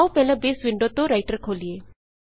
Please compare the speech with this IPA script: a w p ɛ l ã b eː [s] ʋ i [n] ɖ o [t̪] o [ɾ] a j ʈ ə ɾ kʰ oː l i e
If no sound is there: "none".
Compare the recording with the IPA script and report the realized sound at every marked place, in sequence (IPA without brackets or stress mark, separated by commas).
s, ɳ, t̪, ɾ